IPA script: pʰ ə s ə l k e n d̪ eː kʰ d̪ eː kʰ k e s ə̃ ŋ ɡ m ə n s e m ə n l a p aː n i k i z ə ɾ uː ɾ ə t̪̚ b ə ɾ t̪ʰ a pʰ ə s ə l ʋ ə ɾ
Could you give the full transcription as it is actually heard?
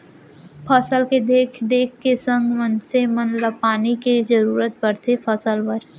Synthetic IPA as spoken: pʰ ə s ə l k e d̪ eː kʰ d̪ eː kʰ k e s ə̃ ŋ ɡ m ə n s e m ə n l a p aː n i k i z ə ɾ uː ɾ ə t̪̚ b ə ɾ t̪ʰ e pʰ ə s ə l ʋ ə ɾ